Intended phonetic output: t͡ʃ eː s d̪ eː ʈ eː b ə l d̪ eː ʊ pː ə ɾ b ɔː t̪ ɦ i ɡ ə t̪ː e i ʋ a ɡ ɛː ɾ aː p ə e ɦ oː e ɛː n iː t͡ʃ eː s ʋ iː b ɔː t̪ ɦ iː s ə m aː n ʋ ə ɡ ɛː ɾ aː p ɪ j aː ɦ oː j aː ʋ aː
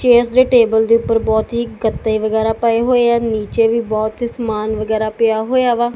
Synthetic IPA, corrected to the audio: t͡ʃ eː s d̪ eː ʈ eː b ə l d̪ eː ʊ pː ə ɾ b ɔː t̪ ɦ i ɡ ə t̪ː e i ʋ ə ɡ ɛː ɾ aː p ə e ɦ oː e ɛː n iː t͡ʃ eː ʋ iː b ɔː t̪ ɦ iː s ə m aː n ʋ ə ɡ ɛː ɾ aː p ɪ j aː ɦ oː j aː ʋ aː